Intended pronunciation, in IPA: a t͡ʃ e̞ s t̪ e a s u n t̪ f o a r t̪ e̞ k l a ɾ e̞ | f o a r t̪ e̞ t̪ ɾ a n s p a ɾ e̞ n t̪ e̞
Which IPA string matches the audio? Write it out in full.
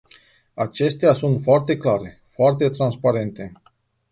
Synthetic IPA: a t͡ʃ e̞ s t̪ e a s u n t̪ f o a r t̪ e̞ k l a ɾ e̞ | f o a r t̪ e̞ t̪ ɾ a n s p a ɾ e̞ n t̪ e̞

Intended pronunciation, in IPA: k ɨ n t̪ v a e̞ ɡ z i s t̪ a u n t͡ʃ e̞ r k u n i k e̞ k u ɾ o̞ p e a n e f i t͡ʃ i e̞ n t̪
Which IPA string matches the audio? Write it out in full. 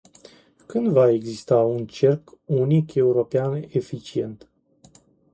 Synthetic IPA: k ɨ n d̪ v a e̞ ɡ z i s t̪ a u n t͡ʃ e̞ r k u n i k e̞ u ɾ o̞ p e a n e f i t͡ʃ i e̞ n t̪

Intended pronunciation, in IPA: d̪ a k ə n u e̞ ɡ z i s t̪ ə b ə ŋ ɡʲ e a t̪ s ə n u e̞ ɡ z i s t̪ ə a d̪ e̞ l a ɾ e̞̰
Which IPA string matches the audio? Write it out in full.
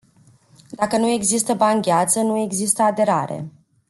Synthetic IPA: d̪ a k ə n u e̞ ɡ z i s t̪ ə b a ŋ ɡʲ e a t̪ s ə n u e̞ ɡ z i s t̪ ə a d̪ e̞ ɾ a ɾ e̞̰

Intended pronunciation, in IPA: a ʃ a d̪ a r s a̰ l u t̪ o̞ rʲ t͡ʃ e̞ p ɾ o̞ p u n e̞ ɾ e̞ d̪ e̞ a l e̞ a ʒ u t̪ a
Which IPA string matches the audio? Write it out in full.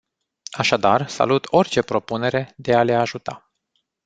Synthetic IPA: a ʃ a d̪ a r s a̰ l u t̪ o̞ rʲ t͡ʃ e̞ p ɾ o̞ p u n e̞ ɾ e̞ d̪ e̞ a l e̞ a ʒ u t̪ a

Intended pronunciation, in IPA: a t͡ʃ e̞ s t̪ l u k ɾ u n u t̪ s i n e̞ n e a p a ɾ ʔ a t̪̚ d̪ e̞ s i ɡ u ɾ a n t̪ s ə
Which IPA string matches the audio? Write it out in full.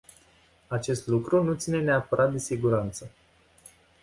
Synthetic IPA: a t͡ʃ e̞ s t̪ l u k ɾ u n u t̪ s i n e̞ n e a p ə ɾ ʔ a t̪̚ d̪ e̞ s i ɡ u ɾ a n t̪ s ə

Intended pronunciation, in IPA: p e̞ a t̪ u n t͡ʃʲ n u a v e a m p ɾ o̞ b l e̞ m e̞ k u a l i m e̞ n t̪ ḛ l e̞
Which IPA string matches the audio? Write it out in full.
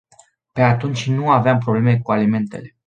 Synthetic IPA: p e̞ a t̪ u n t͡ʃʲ n u a v e a m p ɾ o̞ b l e̞ m e̞ k u a l i m e̞ n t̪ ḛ l e̞

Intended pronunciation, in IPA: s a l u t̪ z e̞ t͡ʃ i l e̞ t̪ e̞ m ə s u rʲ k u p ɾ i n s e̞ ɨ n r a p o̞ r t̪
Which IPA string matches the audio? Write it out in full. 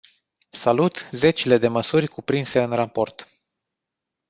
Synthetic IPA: s a l u t̪ z e̞ t͡ʃ i l e̞ d̪ e̞ m ə s u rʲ k u p ɾ i n s e̞ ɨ n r a p o̞ r t̪

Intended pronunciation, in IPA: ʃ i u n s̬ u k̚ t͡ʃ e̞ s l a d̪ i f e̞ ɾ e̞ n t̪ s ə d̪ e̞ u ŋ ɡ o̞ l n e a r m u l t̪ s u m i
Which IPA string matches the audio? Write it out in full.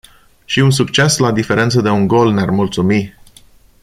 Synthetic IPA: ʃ i u n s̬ u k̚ t͡ʃ e̞ s l a d̪ i f e̞ ɾ e̞ n t̪ s ə d̪ e̞ u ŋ ɡ o̞ l n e a r m u l t̪ s u m i

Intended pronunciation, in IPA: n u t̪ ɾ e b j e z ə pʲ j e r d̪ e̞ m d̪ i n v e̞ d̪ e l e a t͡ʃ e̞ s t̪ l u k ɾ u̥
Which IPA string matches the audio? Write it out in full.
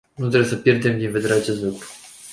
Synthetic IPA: n u t̪ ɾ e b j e s ə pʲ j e r d̪ e̞ m d̪ i n v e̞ d̪ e ɾ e a t͡ʃ e̞ s t̪ l u k ɾ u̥

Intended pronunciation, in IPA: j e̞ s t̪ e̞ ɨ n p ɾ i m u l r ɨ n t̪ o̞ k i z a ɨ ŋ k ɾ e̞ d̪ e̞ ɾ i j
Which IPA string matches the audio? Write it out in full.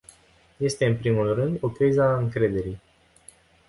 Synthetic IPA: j e̞ s t̪ e̞ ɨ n p ɾ i m u l r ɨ n d̪ o̞ k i z a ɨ ŋ k ɾ e̞ d̪ e̞ ɾ i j

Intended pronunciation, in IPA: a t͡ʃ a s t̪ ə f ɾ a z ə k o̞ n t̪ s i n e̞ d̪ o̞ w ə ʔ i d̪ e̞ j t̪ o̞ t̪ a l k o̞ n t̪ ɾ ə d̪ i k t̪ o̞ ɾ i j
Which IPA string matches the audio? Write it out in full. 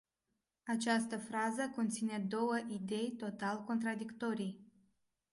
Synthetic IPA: a t͡ʃ a s t̪ ə f ɾ a z ə k o̞ n t̪ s i n e̞ d̪ o̞ w ə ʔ i d̪ e̞ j t̪ o̞ t̪ a l k o̞ n t̪ ɾ a d̪ i k t̪ o̞ ɾ i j

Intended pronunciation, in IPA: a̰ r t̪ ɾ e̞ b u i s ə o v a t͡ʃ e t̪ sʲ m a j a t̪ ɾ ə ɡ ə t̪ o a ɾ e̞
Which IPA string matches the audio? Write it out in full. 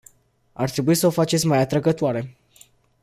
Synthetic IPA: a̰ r t̪ ɾ e̞ b u i s ə o f a t͡ʃ e t̪ sʲ m a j a t̪ ɾ ə ɡ ə t̪ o a ɾ e̞

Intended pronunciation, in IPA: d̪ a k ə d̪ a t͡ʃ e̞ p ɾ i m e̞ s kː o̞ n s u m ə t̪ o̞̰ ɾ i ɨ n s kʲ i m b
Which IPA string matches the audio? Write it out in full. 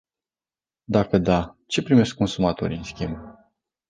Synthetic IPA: d̪ a k ə d̪ a t͡ʃ e̞ p ɾ i m e̞ s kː o̞ n s u m a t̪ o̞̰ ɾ i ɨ n s kʲ i m b

